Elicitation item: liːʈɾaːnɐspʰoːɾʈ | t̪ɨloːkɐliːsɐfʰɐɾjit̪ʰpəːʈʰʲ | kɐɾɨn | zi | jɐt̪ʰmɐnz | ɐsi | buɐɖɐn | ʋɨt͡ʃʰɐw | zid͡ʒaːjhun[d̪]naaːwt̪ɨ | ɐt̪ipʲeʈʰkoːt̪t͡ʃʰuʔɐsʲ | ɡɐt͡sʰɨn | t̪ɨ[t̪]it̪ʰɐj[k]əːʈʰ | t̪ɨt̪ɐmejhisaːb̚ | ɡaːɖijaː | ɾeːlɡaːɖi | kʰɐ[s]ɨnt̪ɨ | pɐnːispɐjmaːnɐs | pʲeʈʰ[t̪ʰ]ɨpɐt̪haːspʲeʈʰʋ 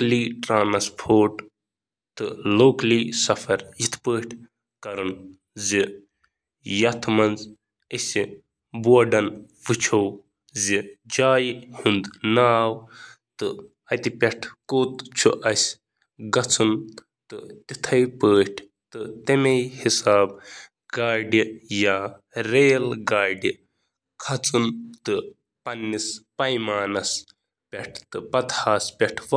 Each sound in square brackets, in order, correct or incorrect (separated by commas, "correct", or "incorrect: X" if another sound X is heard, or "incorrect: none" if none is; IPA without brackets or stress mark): correct, correct, incorrect: p, incorrect: t͡s, incorrect: t̪